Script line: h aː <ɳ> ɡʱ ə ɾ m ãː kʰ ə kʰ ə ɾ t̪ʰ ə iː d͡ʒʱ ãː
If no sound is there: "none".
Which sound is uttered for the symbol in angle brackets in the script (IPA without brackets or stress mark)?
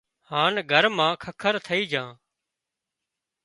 n